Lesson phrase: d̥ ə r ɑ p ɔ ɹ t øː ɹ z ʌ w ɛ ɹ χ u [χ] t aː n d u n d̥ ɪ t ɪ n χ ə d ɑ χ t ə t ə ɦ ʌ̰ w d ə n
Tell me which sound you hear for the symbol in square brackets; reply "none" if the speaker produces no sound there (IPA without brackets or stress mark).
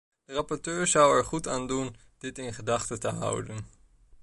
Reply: none